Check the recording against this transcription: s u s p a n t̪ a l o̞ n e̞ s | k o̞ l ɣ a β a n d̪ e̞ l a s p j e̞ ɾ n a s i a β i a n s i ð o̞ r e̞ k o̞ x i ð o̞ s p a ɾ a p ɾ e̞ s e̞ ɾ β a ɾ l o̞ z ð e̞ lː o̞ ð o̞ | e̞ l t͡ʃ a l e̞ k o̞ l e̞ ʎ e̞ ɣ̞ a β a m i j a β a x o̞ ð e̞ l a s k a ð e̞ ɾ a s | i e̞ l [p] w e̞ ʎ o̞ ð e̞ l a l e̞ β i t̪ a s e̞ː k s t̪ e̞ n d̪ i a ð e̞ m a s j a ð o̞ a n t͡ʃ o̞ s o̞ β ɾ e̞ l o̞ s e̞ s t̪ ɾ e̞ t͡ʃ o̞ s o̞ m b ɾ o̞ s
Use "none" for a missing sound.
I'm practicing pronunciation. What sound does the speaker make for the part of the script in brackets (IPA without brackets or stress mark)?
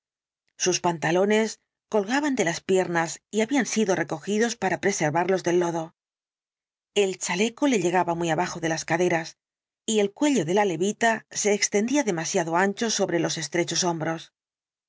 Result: k